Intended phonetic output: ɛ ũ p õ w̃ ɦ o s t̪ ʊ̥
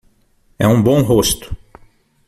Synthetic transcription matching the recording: ɛ ũ b õ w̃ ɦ o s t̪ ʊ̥